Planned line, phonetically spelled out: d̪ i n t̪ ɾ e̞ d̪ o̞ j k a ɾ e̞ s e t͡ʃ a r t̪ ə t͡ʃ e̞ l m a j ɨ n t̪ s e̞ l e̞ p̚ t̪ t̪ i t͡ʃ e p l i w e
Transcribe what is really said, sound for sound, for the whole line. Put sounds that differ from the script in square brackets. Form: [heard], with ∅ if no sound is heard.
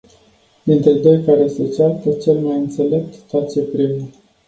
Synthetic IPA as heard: d̪ i n t̪ ɾ e̞ d̪ o̞ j k a ɾ e̞ s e t͡ʃ a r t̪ ə t͡ʃ e̞ l m a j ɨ n t̪ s e̞ l e̞ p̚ t̪ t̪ [a] t͡ʃ e p [ɾ] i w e